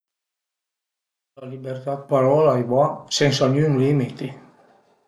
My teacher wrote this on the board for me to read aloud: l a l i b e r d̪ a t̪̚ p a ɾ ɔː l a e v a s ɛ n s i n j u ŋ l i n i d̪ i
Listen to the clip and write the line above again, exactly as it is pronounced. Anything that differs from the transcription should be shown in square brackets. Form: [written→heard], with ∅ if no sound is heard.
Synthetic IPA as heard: l a l i b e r [d̪→t̪] a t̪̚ p a ɾ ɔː l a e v a s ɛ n s [i→a] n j u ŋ l i [n→m] i [d̪→t̪] i